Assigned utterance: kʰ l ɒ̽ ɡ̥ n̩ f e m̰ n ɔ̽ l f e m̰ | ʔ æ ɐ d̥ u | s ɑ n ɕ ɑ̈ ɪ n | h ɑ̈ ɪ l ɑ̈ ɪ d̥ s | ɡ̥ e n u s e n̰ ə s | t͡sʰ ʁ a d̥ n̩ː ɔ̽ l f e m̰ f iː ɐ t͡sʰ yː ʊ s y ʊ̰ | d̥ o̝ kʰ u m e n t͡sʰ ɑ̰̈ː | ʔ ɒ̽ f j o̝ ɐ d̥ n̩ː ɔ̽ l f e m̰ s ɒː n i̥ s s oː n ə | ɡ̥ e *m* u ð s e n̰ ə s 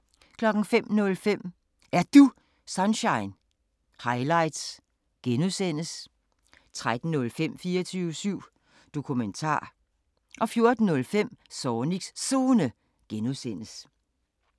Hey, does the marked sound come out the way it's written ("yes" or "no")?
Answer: no